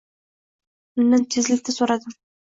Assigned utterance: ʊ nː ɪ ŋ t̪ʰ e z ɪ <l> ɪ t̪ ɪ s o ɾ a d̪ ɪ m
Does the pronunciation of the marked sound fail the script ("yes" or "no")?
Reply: no